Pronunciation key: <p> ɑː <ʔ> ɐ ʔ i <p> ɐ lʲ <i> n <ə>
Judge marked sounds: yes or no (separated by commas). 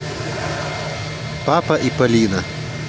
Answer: yes, no, yes, no, no